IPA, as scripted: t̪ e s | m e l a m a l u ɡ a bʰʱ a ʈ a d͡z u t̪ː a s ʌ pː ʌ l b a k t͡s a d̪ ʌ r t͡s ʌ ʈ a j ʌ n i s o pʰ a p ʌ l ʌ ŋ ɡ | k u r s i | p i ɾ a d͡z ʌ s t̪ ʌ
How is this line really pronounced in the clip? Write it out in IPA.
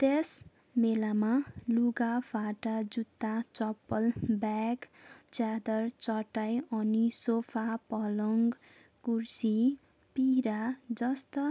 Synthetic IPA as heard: t̪ e s | m e l a m a l u ɡ a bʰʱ a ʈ a d͡z u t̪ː a t͡s ʌ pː ʌ l b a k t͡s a d̪ ʌ r t͡s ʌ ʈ a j ʌ n i s o pʰ a p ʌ l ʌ ŋ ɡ | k u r s i | p i ɾ a d͡z ʌ s t̪ ʌ